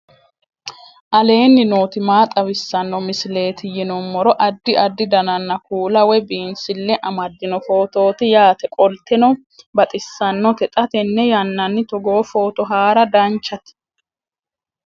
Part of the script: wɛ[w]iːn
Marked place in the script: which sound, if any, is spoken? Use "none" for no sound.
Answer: b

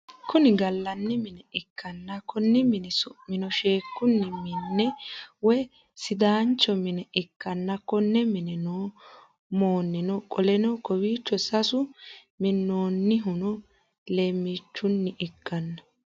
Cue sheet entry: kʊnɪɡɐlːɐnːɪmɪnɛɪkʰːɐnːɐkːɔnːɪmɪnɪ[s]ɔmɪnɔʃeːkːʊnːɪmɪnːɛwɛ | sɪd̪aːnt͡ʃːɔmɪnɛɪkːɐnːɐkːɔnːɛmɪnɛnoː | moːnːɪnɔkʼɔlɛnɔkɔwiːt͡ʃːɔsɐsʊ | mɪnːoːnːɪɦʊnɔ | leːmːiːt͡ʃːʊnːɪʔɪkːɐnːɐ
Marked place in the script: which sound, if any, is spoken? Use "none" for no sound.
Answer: s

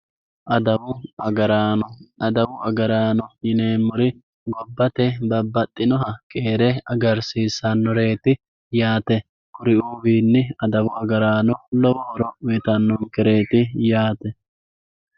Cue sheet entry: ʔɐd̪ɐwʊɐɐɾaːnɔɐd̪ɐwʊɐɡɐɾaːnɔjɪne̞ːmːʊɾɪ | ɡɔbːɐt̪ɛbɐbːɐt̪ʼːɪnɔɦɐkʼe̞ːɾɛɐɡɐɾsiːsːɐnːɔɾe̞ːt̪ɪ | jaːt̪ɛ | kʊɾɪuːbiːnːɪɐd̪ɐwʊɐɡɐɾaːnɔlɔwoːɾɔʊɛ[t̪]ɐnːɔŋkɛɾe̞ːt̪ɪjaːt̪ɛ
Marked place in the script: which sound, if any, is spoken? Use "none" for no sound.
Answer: t̪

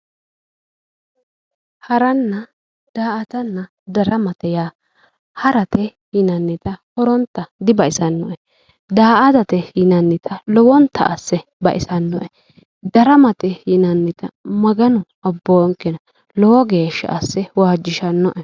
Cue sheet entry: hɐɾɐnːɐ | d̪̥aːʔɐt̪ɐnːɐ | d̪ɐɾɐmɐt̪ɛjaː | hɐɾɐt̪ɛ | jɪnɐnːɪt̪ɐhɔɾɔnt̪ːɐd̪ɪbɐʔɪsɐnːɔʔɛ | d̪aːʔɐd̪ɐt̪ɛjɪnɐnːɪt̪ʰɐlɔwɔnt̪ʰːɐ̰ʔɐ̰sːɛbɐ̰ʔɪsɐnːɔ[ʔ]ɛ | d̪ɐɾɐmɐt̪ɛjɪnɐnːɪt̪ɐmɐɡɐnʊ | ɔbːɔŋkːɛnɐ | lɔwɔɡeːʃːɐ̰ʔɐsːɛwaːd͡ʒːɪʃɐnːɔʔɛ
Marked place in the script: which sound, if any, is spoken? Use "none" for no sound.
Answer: ʔ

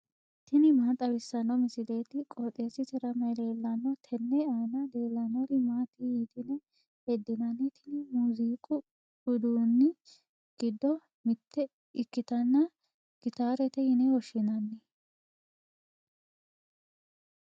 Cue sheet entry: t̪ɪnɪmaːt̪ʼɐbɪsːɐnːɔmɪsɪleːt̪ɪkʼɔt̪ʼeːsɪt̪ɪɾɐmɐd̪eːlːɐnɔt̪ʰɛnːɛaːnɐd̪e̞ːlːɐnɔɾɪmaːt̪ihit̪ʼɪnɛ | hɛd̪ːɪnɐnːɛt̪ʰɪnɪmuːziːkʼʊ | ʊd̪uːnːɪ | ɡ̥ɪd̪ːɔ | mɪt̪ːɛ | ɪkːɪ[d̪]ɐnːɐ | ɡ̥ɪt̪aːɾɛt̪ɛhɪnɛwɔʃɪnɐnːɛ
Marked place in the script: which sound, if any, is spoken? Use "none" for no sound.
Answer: t̪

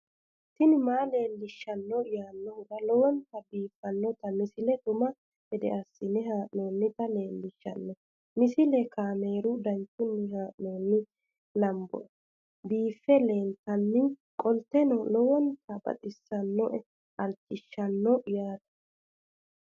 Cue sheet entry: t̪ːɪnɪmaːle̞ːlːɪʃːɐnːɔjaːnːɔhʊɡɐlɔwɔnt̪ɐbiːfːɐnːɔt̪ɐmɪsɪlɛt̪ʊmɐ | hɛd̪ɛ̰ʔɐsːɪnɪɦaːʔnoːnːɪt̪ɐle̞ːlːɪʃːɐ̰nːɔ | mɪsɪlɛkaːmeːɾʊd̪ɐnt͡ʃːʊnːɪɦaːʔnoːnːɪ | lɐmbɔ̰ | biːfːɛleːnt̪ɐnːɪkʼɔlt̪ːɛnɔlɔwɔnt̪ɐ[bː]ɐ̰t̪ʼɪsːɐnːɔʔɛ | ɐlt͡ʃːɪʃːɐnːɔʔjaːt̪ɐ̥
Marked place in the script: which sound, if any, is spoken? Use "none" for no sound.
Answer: b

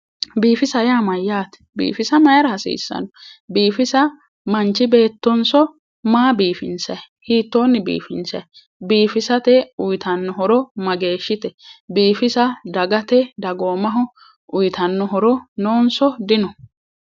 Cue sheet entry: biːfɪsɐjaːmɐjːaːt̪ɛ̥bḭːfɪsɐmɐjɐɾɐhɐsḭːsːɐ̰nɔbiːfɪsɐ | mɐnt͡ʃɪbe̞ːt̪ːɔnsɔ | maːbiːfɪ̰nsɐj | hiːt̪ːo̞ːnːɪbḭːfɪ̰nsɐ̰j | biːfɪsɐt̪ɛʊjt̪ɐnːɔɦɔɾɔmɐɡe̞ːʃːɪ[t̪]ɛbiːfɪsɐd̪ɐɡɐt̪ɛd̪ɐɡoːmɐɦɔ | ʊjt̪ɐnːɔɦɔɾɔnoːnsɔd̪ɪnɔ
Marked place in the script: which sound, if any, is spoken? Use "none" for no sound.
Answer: t̪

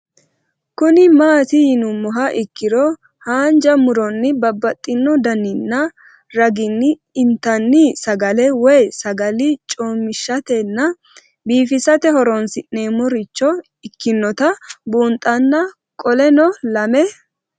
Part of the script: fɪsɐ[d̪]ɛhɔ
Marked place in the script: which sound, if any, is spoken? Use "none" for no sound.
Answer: t̪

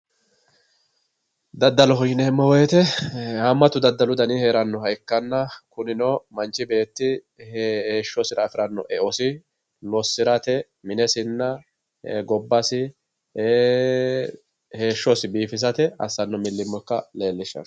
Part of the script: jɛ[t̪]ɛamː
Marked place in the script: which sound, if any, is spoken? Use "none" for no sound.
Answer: t̪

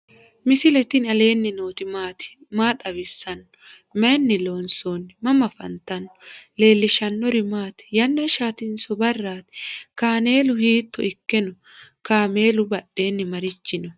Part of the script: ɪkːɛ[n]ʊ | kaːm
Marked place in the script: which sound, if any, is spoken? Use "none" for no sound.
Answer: n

